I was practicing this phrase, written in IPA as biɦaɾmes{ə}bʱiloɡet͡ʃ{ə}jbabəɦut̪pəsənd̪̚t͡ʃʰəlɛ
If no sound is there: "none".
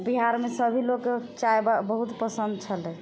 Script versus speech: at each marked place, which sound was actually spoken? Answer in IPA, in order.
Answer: ə, a

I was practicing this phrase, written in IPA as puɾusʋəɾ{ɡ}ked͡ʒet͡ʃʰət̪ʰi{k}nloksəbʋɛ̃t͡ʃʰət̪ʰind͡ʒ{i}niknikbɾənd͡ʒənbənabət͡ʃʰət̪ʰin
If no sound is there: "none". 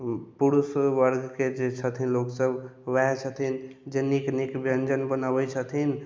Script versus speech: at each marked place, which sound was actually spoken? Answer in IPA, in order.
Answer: ɡ, none, e

